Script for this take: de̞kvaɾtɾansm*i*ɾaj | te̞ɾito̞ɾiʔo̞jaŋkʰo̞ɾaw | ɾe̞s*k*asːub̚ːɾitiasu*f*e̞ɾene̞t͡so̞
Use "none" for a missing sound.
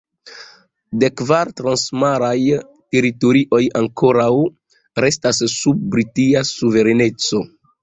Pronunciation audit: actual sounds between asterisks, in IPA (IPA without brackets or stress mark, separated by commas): a, t, v